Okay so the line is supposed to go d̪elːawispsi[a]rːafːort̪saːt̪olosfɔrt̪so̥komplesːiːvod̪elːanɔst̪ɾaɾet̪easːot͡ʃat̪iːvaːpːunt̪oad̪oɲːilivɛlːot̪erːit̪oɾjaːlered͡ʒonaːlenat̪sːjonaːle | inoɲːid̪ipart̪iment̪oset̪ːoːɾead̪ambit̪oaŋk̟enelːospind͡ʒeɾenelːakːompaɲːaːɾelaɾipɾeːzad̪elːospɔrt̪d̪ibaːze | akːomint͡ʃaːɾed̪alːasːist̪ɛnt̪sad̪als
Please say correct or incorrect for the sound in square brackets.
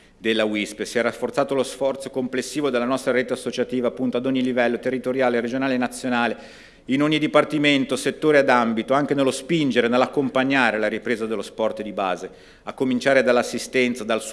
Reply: incorrect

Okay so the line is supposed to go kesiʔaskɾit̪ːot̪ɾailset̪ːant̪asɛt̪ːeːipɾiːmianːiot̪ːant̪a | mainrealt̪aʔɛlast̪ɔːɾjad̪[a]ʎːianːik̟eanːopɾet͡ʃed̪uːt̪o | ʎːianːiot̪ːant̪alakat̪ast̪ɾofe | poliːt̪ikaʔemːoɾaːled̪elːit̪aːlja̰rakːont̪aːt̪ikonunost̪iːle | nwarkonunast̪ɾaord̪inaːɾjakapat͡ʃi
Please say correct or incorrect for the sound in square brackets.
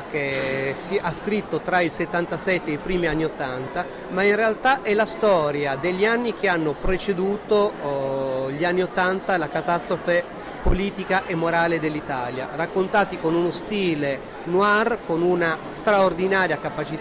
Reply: incorrect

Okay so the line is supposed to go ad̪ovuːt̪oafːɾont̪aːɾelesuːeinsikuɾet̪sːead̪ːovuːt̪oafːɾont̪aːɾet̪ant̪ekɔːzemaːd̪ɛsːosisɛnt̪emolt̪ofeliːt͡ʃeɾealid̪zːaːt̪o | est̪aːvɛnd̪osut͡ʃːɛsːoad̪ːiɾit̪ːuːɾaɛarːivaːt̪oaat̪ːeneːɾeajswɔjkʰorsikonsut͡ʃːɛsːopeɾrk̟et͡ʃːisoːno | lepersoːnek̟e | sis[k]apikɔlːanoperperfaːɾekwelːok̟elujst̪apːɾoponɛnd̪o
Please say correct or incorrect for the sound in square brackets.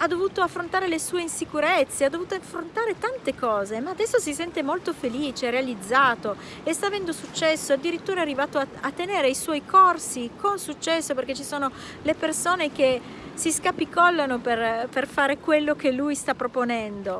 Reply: correct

